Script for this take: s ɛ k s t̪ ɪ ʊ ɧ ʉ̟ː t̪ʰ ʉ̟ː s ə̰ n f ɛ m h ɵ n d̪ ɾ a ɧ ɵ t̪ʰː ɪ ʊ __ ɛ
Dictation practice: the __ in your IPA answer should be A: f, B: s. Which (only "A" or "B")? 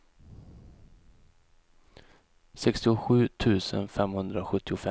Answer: A